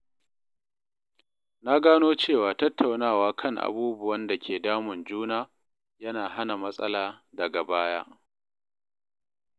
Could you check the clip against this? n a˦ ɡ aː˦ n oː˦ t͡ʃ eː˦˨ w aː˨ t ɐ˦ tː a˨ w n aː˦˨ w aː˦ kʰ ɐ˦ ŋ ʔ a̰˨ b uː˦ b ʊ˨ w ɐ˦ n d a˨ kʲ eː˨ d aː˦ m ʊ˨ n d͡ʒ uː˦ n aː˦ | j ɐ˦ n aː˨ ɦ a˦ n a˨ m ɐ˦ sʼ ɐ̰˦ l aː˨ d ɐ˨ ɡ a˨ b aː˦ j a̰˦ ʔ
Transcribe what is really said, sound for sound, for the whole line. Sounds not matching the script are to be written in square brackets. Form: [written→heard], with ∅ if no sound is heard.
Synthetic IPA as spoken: n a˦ ɡ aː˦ n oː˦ t͡ʃ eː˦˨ w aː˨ t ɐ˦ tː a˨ w n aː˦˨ w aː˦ kʰ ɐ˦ ŋ ʔ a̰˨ b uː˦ b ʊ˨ w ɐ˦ n d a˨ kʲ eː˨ d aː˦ m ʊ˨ n d͡ʒ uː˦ n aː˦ | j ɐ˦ n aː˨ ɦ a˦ n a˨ m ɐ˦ sʼ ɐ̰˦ l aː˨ d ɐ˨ ɡ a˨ b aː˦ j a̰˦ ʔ